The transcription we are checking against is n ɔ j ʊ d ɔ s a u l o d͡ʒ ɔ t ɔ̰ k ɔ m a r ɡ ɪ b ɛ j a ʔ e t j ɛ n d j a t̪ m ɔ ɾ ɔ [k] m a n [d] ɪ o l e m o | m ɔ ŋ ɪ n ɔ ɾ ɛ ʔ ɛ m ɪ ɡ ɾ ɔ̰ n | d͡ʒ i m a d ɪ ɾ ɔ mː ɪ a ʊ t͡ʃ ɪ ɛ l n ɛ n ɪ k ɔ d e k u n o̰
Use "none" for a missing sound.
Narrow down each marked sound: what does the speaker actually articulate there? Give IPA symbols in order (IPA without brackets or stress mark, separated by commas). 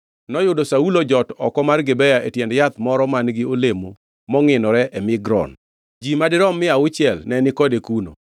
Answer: none, ɡ